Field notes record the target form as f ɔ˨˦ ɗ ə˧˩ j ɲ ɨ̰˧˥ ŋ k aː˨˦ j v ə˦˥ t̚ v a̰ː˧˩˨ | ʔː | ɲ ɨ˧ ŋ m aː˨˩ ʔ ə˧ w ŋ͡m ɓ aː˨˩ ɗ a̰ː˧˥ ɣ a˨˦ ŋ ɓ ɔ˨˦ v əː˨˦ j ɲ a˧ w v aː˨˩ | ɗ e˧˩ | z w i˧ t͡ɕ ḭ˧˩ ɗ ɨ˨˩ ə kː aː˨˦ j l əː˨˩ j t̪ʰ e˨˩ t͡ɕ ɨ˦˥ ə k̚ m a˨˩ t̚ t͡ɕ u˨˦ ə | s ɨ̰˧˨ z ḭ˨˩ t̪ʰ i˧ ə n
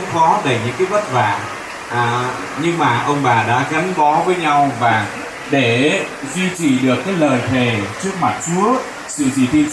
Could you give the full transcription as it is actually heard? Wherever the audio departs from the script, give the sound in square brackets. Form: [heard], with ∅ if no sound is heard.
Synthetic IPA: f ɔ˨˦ ɗ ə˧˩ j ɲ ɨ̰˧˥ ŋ k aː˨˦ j v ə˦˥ t̚ v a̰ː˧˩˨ | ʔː | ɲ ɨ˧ ŋ m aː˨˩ ʔ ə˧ w ŋ͡m ɓ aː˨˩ ɗ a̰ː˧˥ ɣ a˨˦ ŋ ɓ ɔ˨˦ v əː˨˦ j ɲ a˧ w v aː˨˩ | ɗ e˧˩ | z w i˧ t͡ɕ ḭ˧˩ ɗ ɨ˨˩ ə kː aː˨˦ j l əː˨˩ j t̪ʰ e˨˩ t͡ɕ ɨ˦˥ ə k̚ m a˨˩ t̚ t͡ɕ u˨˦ ə | s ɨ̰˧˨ z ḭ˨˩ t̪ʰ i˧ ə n